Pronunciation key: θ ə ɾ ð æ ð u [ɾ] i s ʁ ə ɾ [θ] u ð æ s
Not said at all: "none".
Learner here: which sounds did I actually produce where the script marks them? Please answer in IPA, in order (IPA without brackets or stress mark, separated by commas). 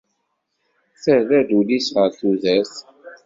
l, θ